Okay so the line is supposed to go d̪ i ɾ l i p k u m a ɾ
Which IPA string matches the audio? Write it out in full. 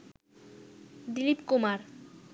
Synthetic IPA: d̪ i l i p k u m a ɾ